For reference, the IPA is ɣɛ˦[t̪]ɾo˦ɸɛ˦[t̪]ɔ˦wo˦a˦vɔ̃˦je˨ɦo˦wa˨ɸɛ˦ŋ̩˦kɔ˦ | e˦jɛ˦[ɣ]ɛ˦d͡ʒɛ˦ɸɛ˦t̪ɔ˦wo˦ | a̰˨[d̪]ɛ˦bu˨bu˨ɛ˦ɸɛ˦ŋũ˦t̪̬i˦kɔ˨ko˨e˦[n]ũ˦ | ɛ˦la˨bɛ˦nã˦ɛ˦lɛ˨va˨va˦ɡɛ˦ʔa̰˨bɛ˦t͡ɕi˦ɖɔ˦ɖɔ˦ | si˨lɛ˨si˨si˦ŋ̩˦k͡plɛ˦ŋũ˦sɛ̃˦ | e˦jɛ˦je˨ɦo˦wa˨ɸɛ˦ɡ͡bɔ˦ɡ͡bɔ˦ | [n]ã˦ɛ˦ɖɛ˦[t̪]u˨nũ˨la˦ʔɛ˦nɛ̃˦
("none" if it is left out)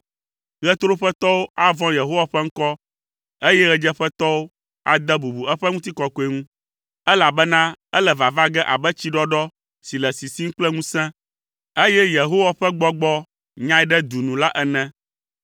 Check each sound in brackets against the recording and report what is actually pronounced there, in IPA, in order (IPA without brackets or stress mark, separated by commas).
t̪, t̪, ɣ, d̪, ŋ, ɲ, d̪